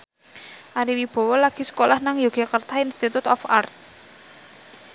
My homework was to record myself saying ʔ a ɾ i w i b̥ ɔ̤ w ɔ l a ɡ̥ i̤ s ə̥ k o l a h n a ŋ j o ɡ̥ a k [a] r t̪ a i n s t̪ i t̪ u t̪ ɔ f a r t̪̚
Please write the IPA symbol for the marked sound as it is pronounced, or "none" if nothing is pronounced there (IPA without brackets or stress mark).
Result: ə